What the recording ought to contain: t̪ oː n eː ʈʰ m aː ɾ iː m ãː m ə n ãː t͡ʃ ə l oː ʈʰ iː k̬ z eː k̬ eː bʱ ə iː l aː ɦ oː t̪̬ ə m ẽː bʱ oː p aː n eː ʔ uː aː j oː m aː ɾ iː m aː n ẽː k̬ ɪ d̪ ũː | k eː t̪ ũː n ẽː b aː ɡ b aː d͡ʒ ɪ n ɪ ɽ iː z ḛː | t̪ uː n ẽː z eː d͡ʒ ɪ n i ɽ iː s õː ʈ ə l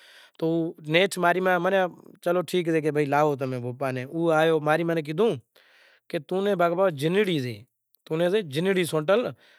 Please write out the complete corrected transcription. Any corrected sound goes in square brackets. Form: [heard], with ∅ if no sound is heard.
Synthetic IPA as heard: t̪ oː n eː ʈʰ m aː ɾ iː m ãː m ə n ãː t͡ʃ ə l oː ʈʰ iː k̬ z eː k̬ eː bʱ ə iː l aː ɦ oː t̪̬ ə m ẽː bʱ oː p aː n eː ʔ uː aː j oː m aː ɾ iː m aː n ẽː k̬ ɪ d̪ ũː | k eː t̪ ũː n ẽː b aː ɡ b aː d͡ʒ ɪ n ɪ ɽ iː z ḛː | t̪ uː n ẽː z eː d͡ʒ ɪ n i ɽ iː s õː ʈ ə l